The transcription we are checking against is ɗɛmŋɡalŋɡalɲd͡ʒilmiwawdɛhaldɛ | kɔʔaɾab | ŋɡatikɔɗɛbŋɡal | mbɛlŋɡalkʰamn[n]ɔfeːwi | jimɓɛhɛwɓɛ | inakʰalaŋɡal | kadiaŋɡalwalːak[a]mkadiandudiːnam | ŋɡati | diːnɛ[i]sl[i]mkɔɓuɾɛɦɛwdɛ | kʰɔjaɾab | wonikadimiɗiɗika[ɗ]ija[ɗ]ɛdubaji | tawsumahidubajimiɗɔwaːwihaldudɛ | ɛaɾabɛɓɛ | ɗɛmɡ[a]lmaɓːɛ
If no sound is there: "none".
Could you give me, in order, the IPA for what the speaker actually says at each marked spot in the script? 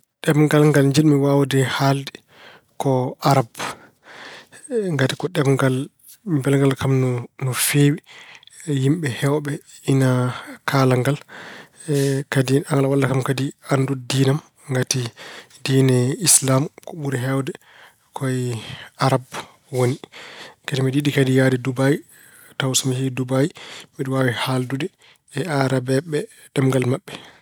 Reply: n, a, i, a, d, d, a

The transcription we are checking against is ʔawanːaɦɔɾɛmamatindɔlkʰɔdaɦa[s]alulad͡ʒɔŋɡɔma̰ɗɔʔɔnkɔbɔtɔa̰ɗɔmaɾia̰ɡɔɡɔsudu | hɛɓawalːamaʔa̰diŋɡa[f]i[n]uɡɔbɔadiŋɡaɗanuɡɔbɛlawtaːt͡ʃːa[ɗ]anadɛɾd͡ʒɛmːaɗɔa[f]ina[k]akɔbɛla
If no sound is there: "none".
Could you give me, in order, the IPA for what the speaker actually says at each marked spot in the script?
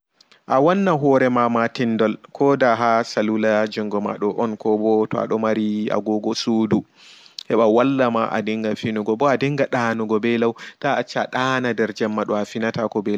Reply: s, f, n, ɗ, f, t

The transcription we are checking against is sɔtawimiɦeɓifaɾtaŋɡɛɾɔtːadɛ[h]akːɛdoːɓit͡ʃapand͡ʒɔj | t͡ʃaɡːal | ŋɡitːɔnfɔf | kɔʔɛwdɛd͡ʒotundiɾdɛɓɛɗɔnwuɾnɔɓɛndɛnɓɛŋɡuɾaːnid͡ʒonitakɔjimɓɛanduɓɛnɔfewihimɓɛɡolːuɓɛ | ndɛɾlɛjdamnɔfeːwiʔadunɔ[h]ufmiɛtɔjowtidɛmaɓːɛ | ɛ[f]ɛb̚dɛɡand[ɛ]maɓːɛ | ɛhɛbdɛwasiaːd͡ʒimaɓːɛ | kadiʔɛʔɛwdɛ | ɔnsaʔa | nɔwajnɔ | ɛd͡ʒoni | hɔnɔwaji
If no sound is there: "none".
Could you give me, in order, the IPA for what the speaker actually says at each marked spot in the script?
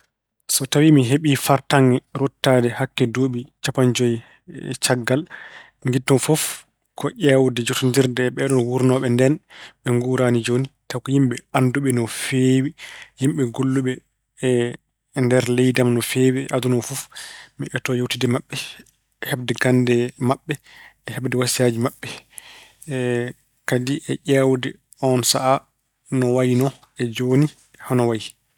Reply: h, f, h, ɛ

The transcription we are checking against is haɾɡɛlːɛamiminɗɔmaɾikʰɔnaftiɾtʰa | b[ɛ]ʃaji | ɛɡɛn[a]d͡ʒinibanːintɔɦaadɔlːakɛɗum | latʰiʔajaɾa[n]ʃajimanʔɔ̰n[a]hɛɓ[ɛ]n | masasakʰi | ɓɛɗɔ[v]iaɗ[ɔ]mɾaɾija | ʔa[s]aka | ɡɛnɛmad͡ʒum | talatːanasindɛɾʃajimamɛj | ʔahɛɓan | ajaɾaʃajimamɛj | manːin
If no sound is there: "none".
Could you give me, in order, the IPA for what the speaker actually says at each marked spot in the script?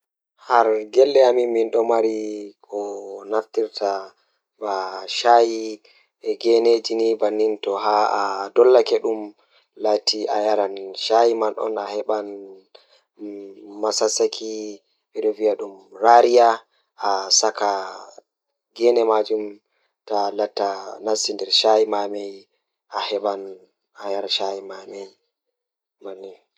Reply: a, e, n, a, a, v, u, s

